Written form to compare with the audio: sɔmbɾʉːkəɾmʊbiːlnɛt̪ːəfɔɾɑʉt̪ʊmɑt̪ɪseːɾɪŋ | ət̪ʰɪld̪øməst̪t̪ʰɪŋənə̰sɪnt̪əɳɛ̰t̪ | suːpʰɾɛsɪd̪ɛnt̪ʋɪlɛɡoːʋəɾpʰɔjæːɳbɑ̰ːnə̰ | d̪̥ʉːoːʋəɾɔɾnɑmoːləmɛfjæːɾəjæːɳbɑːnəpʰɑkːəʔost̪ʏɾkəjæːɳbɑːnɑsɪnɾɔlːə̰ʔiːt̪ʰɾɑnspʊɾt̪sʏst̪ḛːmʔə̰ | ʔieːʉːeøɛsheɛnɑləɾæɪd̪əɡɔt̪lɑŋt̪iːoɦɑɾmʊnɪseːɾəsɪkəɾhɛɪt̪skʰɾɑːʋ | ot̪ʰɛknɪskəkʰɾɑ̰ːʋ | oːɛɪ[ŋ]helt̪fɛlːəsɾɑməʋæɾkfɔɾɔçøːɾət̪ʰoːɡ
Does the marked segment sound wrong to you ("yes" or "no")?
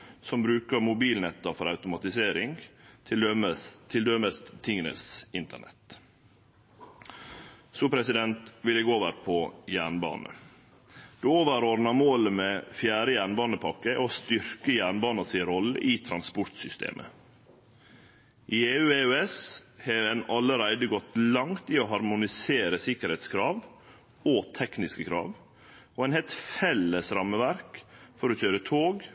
yes